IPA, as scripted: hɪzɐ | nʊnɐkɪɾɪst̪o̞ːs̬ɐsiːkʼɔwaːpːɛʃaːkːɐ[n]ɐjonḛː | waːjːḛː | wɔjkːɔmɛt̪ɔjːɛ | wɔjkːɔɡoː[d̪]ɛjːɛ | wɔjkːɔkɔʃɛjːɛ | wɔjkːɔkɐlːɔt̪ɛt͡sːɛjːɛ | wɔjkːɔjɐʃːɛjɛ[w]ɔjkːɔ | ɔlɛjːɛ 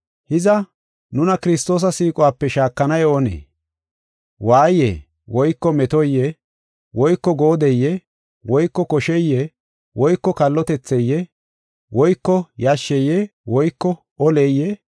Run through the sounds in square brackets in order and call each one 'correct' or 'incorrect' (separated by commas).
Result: correct, correct, correct